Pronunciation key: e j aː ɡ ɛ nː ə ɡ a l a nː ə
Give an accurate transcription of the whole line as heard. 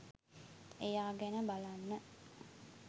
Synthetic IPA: e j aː ɡ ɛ n ə b a l a nː ə